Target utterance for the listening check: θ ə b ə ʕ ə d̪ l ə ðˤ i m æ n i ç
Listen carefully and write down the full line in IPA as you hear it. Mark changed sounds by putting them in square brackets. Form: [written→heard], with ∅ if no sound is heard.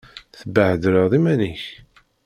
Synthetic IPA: θ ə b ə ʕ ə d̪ [l→ɾ] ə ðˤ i m æ n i ç